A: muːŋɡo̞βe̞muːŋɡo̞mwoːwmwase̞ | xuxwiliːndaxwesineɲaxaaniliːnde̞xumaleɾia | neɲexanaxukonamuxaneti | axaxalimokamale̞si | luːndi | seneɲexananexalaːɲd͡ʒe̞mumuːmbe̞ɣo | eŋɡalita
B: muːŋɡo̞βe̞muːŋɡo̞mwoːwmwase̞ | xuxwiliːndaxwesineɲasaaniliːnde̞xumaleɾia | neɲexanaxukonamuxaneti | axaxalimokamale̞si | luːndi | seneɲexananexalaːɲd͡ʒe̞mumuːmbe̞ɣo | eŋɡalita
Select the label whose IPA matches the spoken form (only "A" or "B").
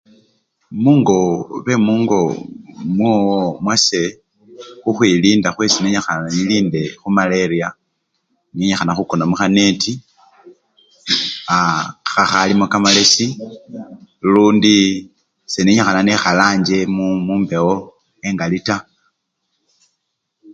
A